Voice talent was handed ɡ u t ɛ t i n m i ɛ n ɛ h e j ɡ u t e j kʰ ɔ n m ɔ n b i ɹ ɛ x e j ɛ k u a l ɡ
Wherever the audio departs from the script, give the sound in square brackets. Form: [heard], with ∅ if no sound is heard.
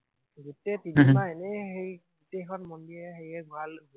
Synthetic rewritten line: ɡ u t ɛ t i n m [a] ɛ n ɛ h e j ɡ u t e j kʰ ɔ n m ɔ n [d] i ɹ ɛ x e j ɛ [ɡ] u a l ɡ